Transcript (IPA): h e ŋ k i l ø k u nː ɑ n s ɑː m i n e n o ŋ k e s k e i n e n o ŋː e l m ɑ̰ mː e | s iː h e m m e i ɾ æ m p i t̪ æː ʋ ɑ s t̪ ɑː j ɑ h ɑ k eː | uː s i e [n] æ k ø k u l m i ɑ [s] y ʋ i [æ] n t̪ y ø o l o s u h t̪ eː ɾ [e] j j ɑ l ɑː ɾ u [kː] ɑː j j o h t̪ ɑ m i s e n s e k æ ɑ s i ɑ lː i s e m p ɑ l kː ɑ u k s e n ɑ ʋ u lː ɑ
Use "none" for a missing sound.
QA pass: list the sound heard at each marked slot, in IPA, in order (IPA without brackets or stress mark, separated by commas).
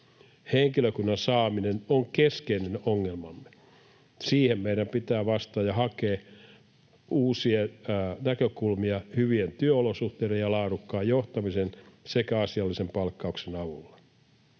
n, h, e, e, kː